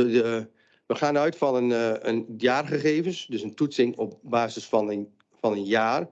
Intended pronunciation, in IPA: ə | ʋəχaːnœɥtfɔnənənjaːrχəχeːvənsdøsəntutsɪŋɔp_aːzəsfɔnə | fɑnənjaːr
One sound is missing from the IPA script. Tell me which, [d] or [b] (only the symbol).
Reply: b